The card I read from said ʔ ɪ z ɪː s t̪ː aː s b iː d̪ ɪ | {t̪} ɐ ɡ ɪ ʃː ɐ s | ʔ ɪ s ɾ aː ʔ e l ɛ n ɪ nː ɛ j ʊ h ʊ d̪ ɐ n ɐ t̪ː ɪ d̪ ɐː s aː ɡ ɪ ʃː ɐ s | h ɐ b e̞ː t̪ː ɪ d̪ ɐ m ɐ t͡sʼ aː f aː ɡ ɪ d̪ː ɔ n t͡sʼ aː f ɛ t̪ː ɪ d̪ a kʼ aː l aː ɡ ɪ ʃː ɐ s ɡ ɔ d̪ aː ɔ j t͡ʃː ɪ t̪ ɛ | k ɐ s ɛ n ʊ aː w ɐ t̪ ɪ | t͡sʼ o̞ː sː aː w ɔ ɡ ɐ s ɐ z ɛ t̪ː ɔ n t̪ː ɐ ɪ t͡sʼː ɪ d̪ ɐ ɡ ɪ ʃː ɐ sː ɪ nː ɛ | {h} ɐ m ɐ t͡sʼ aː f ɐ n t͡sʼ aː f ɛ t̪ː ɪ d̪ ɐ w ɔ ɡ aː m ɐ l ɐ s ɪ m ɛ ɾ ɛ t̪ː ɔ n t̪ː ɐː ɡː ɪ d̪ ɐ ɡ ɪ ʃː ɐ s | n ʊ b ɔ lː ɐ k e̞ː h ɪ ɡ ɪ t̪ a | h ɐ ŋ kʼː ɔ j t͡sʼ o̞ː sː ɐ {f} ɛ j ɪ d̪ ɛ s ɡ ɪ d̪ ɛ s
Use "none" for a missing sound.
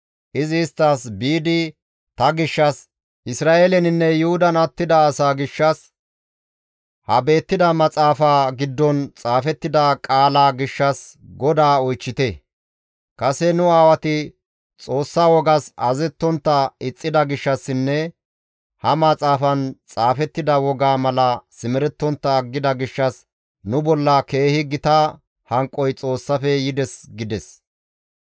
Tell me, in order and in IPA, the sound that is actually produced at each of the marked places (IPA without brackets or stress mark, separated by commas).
t̪, h, f